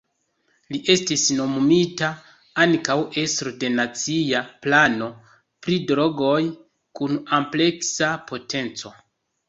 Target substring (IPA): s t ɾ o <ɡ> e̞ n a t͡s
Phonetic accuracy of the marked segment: incorrect: d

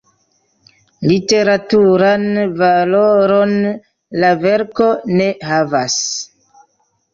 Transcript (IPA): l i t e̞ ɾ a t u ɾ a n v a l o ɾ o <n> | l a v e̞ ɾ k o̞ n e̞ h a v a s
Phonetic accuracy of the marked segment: correct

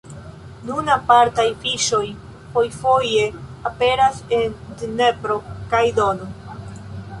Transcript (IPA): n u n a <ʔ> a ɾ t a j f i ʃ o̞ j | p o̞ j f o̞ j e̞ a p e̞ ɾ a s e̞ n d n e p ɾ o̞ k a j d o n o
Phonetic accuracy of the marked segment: incorrect: p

